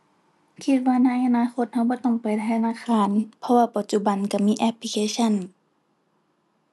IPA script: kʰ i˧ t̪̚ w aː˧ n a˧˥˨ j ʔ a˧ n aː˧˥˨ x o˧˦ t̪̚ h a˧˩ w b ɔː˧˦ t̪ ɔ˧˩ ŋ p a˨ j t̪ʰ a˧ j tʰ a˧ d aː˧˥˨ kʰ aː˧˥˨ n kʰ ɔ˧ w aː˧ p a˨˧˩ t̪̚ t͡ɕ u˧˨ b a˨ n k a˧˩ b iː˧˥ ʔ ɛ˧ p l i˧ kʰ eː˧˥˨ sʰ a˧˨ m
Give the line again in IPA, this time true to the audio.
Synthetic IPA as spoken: kʰ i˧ t̪̚ w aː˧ n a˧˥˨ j ʔ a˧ n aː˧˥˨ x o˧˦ t̪̚ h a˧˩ w b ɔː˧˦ t̪ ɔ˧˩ ŋ p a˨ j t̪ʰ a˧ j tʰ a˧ n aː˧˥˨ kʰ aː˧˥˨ n pʰ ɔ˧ w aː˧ p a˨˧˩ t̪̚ t͡ɕ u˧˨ b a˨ n k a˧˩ m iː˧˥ ʔ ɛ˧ p l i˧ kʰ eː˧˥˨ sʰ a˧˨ n